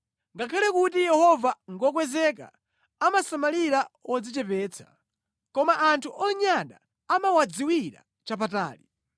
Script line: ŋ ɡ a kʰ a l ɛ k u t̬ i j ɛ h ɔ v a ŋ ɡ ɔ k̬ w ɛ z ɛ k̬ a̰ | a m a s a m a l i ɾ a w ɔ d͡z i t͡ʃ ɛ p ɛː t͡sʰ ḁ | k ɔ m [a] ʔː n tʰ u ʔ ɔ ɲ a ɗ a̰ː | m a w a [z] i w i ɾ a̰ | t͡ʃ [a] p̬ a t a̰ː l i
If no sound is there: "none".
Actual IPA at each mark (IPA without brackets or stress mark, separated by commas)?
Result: a, d͡z, a